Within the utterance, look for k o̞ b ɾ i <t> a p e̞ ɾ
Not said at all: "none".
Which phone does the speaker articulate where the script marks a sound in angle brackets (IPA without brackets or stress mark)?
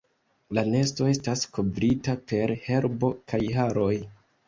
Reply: t